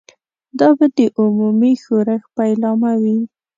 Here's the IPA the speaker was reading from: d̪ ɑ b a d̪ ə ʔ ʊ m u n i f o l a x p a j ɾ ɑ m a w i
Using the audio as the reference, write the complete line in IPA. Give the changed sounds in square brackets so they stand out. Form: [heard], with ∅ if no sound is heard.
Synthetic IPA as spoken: d̪ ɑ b a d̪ ə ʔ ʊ m u [m] i [x] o [ɾ] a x p a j [l] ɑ m a w i